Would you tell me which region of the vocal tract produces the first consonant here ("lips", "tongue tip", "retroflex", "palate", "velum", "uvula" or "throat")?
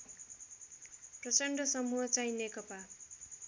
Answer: lips